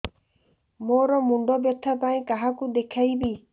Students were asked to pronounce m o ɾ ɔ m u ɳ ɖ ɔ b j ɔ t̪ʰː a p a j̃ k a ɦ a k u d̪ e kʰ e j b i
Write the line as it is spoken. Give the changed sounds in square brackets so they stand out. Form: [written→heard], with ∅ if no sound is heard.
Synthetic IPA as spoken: m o ɾ ɔ m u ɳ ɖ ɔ b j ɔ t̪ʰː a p a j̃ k a ɦ a k u d̪ e kʰ [e→a] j b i